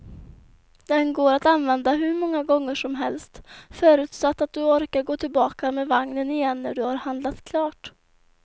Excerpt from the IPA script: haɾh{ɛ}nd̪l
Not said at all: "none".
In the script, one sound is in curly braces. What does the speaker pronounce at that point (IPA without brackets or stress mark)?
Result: a